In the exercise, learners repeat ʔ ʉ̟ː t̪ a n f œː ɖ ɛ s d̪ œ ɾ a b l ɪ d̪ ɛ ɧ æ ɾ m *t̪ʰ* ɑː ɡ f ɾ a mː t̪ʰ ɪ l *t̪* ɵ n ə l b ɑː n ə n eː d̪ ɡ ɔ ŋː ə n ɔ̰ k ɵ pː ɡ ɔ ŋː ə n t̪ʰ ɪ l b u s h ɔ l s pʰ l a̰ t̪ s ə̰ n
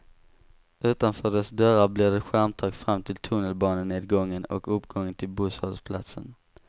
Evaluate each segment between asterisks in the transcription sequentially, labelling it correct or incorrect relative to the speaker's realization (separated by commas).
correct, incorrect